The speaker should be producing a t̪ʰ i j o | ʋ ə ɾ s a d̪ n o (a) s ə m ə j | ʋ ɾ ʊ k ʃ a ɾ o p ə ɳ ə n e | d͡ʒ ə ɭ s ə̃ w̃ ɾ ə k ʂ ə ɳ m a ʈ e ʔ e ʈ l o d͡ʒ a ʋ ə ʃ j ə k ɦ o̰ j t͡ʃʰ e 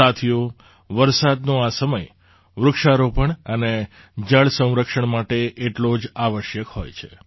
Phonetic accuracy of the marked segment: correct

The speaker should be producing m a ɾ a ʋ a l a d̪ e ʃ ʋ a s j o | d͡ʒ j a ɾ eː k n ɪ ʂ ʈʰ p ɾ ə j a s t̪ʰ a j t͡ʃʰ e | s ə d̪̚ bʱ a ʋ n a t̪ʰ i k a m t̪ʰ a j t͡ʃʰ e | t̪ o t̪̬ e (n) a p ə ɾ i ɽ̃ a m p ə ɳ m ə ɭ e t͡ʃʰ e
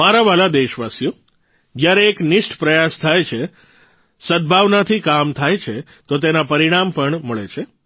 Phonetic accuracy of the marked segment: correct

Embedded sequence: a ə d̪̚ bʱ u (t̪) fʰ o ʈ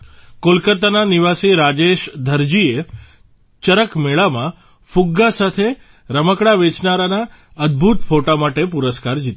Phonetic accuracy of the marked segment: correct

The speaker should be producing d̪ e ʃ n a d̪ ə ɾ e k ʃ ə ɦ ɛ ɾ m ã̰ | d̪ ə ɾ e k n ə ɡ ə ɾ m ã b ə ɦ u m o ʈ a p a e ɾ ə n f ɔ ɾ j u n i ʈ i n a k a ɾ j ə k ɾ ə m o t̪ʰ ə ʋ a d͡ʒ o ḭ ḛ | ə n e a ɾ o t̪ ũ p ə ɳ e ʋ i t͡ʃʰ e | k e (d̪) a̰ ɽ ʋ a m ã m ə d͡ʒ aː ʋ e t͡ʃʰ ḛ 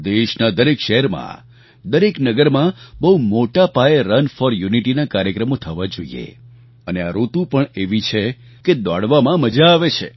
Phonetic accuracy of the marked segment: correct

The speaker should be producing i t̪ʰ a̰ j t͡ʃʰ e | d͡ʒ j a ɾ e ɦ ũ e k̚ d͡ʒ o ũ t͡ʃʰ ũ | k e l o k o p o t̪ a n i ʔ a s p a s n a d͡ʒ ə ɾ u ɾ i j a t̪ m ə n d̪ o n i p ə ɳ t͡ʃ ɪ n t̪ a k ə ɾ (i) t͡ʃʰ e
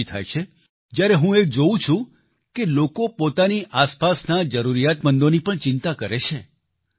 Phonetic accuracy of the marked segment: incorrect: e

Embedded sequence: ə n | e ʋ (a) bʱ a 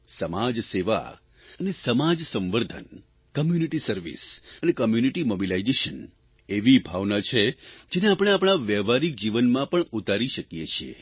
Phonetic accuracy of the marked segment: incorrect: i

